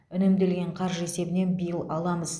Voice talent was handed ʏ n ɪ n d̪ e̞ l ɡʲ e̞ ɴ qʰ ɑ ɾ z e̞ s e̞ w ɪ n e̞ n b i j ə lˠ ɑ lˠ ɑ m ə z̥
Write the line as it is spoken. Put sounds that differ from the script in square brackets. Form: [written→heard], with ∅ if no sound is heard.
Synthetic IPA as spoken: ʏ n ɪ [n→m] d̪ e̞ l ɡʲ e̞ ɴ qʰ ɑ ɾ [z→ʒ] e̞ s e̞ [w→b] ɪ n e̞ n b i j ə lˠ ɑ lˠ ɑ m ə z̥